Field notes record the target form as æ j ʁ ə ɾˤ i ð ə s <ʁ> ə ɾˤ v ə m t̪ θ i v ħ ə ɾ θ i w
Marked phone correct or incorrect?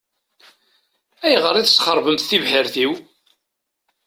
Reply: incorrect